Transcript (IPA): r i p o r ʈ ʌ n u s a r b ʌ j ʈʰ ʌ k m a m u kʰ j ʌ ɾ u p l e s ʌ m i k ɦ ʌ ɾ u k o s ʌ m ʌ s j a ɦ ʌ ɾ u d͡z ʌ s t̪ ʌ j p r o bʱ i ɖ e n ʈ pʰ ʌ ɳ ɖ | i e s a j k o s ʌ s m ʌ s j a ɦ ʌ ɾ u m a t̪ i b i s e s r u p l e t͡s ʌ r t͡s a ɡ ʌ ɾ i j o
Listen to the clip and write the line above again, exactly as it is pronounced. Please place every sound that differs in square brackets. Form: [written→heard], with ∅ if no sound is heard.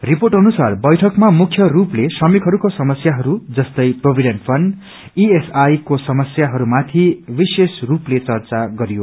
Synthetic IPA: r i p o r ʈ ʌ n u s a r b ʌ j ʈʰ ʌ k m a m u kʰ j ʌ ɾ u p l e s ʌ m i k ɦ ʌ ɾ u k o s ʌ m ʌ s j a ɦ ʌ ɾ u d͡z ʌ s t̪ ʌ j p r o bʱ i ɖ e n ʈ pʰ ʌ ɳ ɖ | i e s a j k o s ʌ [s→∅] m ʌ s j a ɦ ʌ ɾ u m a [t̪→t̪ʰ] i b i s e s r u p l e t͡s ʌ r t͡s a ɡ ʌ ɾ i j o